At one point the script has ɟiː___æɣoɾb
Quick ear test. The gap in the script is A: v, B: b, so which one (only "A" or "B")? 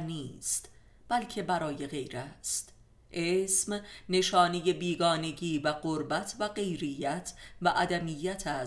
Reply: A